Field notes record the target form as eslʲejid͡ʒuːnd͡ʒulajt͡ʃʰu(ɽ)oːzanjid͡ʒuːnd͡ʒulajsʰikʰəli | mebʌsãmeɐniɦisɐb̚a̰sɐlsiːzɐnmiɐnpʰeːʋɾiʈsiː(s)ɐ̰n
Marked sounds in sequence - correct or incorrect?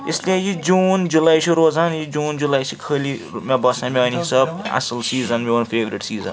incorrect: ɾ, incorrect: z

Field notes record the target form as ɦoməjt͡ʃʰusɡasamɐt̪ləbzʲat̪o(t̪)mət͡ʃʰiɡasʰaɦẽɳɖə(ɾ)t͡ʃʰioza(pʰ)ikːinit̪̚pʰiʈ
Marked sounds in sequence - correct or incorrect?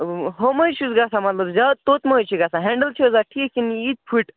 correct, incorrect: l, incorrect: ʈʰ

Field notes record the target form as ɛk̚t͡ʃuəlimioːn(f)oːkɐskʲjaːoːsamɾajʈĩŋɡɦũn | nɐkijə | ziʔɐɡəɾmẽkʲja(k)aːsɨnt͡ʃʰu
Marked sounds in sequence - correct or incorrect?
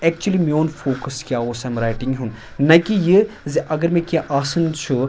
correct, incorrect: ʔ

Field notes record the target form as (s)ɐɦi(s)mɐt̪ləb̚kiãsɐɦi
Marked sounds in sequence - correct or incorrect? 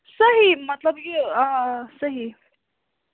correct, incorrect: none

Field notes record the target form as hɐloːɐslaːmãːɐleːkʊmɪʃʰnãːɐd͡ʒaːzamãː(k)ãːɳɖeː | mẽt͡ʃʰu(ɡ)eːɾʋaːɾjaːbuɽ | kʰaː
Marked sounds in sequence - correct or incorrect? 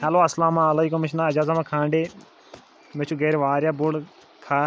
incorrect: kʰ, correct

